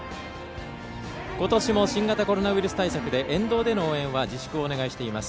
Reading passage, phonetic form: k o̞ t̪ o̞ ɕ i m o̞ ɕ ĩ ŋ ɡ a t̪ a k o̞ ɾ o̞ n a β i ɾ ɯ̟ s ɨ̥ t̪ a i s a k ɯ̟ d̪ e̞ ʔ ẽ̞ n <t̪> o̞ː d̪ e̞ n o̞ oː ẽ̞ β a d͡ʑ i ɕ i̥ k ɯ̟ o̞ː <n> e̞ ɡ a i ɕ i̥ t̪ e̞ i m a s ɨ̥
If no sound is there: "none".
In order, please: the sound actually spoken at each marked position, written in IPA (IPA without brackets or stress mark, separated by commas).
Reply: d̪, n